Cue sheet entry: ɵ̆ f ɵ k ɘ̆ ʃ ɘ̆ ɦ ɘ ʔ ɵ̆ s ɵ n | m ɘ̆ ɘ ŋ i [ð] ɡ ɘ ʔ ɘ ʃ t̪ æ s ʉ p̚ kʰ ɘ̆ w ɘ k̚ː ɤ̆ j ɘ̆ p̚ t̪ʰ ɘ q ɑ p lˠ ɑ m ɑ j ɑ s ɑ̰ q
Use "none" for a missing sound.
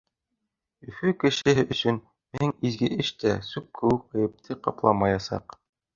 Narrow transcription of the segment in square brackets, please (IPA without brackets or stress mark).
z